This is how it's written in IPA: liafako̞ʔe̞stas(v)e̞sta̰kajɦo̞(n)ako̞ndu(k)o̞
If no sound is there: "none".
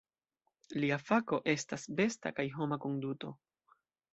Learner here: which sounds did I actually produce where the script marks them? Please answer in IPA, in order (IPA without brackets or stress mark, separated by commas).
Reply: b, m, t